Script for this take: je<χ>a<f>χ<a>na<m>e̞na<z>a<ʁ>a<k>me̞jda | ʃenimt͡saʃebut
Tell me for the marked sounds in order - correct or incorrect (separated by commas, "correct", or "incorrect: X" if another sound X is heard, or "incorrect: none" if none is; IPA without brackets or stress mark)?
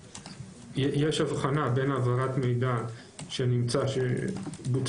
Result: incorrect: ʃ, incorrect: v, correct, incorrect: b, incorrect: v, correct, incorrect: t